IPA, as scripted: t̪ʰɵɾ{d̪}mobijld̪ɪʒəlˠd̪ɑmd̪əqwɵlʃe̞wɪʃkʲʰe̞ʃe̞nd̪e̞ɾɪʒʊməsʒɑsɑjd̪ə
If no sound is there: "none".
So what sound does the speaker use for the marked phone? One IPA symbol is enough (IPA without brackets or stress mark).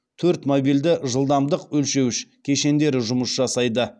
t̪